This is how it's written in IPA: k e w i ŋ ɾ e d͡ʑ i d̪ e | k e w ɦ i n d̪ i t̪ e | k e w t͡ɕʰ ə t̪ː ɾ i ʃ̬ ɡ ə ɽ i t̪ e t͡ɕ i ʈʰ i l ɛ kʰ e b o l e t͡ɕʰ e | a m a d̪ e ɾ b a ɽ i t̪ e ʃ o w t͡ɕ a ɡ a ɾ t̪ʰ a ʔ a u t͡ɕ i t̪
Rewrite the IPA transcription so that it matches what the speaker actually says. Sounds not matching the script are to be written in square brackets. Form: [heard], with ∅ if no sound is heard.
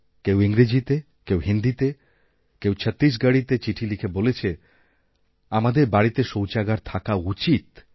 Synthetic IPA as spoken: k e w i ŋ ɾ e d͡ʑ i [t̪] e | k e w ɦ i n d̪ i t̪ e | k e w t͡ɕʰ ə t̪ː ɾ i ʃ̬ ɡ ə ɽ i t̪ e t͡ɕ i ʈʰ i l [i] kʰ e b o l e t͡ɕʰ e | a m a d̪ e ɾ b a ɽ i t̪ e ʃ o w t͡ɕ a ɡ a ɾ t̪ʰ a [k] a u t͡ɕ i t̪